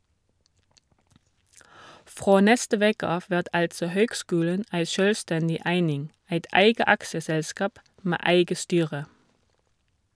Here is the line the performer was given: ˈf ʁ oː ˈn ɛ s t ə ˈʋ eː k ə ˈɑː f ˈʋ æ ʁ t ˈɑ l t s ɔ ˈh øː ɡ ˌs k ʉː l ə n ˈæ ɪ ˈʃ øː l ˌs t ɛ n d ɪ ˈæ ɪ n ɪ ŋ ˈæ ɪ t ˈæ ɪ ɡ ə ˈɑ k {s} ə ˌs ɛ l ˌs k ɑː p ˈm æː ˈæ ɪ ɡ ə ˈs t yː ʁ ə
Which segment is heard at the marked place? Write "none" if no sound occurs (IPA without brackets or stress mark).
s